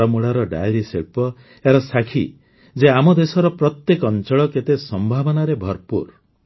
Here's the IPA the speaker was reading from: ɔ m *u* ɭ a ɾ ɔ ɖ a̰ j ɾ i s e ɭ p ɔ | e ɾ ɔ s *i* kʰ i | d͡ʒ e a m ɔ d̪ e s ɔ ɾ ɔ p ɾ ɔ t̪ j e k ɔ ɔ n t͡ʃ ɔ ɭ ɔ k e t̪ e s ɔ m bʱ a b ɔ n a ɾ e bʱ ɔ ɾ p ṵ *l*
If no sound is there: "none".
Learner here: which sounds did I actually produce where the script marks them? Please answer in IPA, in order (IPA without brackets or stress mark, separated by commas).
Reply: u, a, ɾ